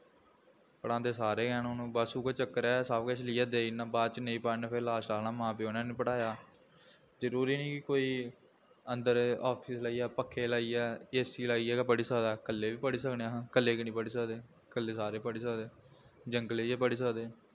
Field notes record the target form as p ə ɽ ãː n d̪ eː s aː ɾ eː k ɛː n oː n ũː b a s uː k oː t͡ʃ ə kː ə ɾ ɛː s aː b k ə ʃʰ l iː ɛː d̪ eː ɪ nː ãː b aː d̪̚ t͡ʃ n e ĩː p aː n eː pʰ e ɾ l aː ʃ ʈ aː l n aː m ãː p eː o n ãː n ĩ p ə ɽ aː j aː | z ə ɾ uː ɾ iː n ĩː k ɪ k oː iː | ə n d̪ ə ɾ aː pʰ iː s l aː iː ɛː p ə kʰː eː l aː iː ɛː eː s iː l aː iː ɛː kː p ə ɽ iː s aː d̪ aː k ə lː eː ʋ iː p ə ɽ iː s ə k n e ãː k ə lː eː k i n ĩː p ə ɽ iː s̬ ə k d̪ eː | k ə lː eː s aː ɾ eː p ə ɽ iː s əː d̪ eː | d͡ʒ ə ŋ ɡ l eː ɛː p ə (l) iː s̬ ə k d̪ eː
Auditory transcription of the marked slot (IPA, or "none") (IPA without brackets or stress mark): ɽ